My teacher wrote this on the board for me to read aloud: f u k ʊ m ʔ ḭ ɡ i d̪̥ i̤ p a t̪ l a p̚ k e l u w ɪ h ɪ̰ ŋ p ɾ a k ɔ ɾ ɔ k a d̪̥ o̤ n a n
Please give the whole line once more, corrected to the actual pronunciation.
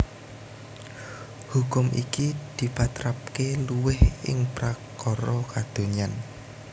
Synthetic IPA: h u k ʊ m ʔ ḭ k i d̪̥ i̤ p a t̪ ɾ a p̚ k e l u w ɪ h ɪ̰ ŋ p ɾ a k ɔ ɾ ɔ k a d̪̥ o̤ ɲ a n